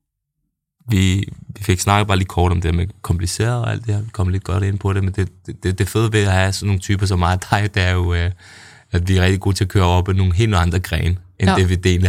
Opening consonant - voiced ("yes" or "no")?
yes